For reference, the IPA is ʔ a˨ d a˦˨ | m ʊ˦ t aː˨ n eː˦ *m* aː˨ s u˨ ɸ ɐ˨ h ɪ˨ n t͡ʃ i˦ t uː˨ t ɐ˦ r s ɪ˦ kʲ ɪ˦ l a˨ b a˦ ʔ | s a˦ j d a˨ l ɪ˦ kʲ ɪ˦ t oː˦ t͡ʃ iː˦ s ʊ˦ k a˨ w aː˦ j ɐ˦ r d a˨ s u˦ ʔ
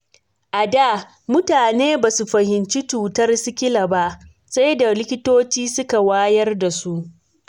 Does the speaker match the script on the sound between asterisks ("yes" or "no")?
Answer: no